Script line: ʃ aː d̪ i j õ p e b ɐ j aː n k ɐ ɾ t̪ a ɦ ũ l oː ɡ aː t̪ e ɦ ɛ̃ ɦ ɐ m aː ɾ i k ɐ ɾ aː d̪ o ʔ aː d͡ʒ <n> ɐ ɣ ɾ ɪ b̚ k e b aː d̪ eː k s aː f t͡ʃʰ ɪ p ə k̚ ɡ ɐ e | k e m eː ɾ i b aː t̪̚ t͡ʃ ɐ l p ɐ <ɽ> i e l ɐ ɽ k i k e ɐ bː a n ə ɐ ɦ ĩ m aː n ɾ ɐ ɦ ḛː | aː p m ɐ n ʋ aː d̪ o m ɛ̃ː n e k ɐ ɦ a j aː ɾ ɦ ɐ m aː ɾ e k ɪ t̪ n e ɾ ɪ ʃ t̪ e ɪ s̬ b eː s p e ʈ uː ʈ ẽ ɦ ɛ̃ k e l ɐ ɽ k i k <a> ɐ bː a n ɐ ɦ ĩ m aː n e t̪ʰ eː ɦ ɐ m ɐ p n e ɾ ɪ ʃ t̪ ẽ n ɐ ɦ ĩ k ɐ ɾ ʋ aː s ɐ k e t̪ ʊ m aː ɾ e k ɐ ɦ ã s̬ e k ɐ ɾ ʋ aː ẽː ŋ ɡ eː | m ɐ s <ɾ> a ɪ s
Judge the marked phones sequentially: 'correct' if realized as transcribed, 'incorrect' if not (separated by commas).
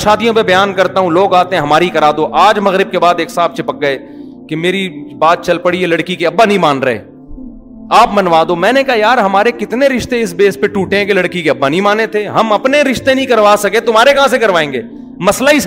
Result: incorrect, correct, incorrect, incorrect